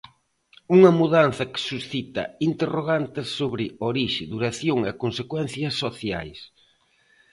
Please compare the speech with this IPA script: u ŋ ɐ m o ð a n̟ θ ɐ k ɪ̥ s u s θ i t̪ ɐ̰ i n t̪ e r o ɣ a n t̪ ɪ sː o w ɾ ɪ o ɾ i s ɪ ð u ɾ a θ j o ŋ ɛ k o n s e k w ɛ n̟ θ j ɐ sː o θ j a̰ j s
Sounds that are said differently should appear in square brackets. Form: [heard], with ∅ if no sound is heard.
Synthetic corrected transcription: u ŋ ɐ m [u] ð a n̟ θ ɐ k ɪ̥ s u s θ i t̪ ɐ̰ i n t̪ e r o ɣ a n t̪ ɪ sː o [β] ɾ ɪ o ɾ i [ʃ] ɪ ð u ɾ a θ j o ŋ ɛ k o n s e k w ɛ n̟ θ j ɐ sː o θ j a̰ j s